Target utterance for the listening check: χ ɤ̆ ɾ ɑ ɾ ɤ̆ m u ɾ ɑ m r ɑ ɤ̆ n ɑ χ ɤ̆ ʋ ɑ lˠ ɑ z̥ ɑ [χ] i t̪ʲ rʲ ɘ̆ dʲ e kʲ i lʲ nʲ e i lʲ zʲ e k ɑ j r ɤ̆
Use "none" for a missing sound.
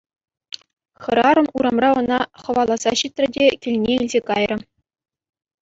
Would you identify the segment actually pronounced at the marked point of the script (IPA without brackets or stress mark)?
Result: ɕ